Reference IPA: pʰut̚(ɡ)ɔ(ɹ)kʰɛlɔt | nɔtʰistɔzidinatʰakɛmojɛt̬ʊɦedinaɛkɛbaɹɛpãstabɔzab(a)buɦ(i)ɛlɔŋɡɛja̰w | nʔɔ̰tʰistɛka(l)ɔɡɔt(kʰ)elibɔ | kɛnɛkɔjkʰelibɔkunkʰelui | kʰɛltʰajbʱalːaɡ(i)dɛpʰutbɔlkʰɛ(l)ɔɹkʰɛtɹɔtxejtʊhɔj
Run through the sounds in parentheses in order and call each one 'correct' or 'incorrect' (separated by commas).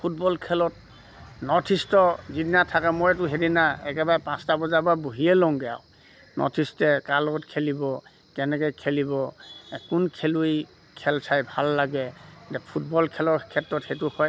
incorrect, incorrect, correct, correct, correct, correct, incorrect, correct